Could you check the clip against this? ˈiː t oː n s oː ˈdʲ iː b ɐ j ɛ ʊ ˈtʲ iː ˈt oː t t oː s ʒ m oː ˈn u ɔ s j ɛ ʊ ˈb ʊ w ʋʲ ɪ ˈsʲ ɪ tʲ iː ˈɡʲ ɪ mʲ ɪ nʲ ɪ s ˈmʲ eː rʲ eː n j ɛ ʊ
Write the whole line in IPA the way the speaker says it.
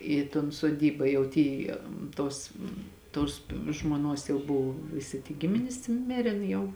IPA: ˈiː t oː n s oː ˈdʲ iː b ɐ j ɛ ʊ ˈtʲ iː ˈt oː s t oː s ʒ m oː ˈn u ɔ s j ɛ ʊ ˈb ʊ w ʋʲ ɪ ˈsʲ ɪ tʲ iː ˈɡʲ ɪ mʲ ɪ nʲ ɪ s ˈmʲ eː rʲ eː n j ɛ ʊ